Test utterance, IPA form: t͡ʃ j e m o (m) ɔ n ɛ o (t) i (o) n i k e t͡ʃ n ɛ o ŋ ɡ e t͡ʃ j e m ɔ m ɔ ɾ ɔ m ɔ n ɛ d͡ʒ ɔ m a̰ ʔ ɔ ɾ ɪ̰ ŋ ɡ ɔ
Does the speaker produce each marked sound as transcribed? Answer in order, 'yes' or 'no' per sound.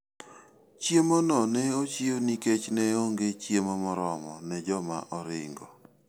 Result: no, no, yes

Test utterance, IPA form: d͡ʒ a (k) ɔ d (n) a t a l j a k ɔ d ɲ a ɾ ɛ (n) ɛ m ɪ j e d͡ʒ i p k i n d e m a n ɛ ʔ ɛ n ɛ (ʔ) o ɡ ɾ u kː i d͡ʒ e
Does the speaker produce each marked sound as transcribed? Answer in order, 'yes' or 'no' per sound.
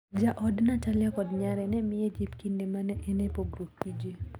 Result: no, yes, yes, no

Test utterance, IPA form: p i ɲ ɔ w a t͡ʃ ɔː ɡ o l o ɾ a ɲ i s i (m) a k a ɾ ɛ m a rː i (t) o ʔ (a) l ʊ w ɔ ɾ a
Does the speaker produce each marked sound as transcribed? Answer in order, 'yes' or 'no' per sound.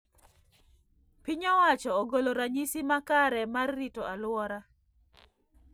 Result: yes, yes, yes

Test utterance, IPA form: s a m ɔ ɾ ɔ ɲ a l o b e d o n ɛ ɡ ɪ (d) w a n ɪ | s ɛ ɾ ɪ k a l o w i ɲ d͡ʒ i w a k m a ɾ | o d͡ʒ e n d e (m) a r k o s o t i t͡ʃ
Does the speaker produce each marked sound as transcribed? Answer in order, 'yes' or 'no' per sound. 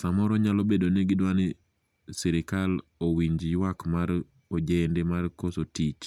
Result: yes, yes

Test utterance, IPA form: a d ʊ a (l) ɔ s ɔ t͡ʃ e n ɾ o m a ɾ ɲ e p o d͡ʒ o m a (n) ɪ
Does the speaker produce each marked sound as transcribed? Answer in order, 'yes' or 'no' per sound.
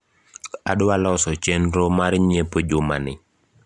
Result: yes, yes

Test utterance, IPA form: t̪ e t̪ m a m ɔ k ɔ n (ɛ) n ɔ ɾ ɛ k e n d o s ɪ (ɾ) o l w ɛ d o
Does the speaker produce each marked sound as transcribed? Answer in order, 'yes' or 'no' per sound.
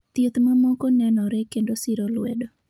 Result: yes, yes

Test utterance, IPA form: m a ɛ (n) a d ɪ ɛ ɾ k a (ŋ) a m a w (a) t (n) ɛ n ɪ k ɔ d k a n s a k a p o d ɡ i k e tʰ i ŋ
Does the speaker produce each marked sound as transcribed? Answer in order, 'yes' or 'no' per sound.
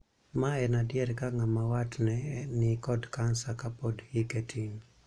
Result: yes, yes, yes, yes

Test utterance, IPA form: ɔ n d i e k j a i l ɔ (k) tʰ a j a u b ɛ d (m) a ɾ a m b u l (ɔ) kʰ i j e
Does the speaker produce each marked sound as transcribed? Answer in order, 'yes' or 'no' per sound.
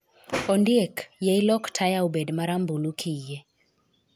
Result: yes, yes, no

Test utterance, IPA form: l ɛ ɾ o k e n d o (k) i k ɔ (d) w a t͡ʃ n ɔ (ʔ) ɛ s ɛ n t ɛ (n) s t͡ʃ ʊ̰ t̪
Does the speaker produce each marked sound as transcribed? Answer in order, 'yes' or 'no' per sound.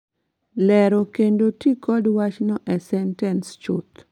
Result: no, yes, yes, yes

